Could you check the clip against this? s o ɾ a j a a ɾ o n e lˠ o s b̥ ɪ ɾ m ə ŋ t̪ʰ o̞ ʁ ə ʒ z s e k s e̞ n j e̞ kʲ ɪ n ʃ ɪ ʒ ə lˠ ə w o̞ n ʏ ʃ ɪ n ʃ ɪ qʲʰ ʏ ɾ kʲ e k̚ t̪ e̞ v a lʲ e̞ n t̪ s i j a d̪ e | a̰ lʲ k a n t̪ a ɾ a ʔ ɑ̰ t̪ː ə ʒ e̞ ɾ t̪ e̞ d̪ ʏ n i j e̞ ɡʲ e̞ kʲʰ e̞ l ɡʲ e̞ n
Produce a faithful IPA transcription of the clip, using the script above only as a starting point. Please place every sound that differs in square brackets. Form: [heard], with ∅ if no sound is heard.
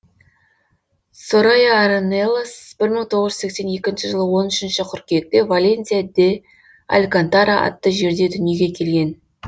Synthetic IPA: s o ɾ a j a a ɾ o n e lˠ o s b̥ ɪ ɾ m ə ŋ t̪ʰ o̞ ʁ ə ʒ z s e k s e̞ n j e̞ kʲ ɪ n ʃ ɪ ʒ ə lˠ ə w o̞ n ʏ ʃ ɪ n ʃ ɪ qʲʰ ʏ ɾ kʲ e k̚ t̪ e̞ v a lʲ e̞ n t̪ s i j a d̪ e | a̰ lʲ k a n t̪ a ɾ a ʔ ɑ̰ t̪ː ə ʒ e̞ ɾ [d̪] e̞ d̪ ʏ n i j e̞ ɡʲ e̞ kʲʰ e̞ l ɡʲ e̞ n